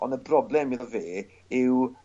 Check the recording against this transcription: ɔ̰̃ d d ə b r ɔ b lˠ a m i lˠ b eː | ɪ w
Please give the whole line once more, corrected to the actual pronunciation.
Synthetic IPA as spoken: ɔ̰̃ n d ə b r ɔ b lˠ ɛ m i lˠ v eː | ɪ w

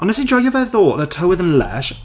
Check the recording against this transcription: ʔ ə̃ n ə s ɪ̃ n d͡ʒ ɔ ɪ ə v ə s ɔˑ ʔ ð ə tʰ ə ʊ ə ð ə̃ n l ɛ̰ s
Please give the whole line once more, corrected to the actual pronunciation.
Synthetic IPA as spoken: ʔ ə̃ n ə s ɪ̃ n d͡ʒ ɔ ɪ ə v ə θ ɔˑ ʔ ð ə tʰ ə ʊ ə ð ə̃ n l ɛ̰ ʃ

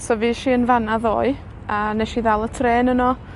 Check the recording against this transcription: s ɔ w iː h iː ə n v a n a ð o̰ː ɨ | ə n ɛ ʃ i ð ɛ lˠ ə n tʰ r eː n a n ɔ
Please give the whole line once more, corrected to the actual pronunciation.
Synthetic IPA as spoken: s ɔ v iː ʃ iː ə n v a n a ð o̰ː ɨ | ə n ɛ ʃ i ð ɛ lˠ ə tʰ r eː n ə n ɔ

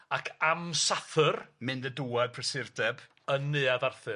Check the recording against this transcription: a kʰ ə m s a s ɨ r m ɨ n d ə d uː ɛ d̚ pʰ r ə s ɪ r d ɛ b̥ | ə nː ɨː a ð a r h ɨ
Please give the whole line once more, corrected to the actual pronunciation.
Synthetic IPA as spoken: a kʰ a m s a θ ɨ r m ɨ n d ə d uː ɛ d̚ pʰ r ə s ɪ r d ɛ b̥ | ə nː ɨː a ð a r θ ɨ

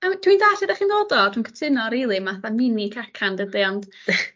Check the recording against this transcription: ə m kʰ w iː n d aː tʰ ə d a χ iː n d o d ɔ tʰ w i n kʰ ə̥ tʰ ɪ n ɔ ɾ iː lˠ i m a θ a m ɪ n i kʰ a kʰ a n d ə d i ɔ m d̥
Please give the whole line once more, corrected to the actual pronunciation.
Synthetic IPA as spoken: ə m tʰ w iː n d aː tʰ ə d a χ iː n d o d ɔ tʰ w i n kʰ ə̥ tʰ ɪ n ɔ ɾ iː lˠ i m a θ a m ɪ n i kʰ a kʰ a n d ə d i ɔ n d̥

